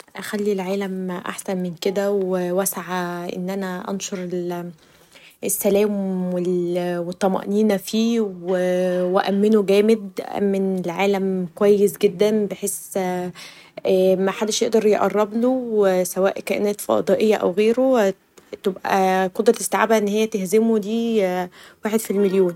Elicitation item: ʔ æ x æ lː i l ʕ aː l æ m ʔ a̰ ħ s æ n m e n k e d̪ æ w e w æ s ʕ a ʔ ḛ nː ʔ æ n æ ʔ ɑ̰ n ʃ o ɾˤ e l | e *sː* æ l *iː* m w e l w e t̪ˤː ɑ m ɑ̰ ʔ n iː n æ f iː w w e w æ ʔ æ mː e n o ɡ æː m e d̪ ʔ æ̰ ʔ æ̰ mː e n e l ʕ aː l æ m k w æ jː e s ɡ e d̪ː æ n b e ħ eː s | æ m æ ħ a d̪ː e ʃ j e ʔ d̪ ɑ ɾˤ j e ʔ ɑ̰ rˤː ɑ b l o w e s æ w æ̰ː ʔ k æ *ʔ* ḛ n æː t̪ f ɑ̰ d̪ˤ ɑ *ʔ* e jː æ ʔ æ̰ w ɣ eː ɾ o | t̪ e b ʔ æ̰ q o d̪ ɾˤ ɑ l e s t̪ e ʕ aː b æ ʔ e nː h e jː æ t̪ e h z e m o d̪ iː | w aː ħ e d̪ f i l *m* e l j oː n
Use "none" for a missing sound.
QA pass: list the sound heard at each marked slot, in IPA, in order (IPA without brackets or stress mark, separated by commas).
sː, æː, ʔ, ʔ, m